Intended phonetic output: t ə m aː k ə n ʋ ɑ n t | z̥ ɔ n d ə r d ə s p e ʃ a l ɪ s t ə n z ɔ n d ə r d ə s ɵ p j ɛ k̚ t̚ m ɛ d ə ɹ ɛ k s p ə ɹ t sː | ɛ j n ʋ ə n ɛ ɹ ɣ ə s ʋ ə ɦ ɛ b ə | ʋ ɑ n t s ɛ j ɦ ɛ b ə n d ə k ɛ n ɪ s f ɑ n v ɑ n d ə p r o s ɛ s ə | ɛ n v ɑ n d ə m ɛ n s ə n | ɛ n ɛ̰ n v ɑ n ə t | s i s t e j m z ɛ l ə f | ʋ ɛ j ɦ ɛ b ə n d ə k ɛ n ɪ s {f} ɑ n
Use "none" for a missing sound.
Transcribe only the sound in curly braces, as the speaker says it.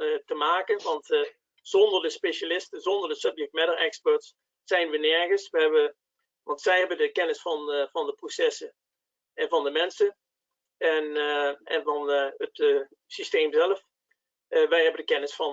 f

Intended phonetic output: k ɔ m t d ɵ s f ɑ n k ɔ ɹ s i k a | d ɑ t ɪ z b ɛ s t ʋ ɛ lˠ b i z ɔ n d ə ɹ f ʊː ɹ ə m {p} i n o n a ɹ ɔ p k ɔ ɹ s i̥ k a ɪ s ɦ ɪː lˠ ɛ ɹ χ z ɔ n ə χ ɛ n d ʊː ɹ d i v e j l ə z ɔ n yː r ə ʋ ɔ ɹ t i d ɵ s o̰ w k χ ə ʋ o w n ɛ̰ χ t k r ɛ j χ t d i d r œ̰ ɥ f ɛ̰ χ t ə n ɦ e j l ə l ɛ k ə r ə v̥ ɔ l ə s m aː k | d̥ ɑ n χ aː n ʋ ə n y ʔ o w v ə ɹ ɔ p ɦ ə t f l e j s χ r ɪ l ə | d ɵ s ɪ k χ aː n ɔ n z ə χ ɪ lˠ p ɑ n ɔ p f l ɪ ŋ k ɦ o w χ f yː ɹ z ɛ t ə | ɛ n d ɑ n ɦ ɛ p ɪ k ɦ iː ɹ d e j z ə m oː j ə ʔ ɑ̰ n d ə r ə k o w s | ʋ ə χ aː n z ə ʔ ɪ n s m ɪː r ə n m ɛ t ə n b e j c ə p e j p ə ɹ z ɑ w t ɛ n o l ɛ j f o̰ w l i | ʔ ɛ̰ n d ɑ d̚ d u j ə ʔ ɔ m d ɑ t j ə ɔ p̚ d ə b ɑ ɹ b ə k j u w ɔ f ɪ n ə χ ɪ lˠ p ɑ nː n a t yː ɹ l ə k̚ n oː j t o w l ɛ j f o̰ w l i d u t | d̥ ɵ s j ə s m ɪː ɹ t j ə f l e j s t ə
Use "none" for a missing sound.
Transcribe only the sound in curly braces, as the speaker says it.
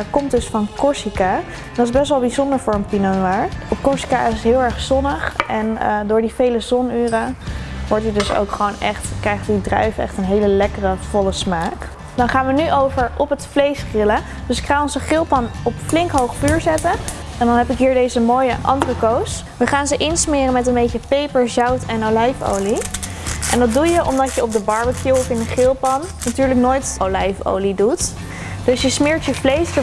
p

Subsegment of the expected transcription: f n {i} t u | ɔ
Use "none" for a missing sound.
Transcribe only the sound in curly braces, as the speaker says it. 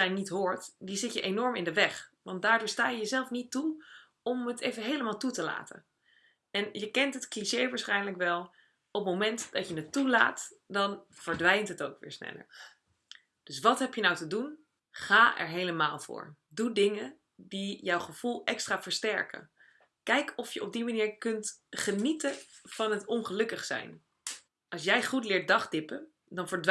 i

